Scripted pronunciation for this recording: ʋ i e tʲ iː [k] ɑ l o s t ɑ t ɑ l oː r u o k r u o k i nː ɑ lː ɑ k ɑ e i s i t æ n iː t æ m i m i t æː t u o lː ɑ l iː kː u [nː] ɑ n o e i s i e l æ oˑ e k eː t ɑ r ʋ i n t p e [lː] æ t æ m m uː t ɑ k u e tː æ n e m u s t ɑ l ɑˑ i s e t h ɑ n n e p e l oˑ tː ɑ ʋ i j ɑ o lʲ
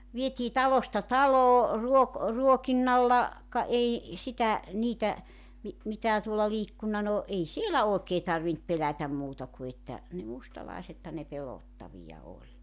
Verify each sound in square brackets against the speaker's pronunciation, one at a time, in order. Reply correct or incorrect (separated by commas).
incorrect, correct, incorrect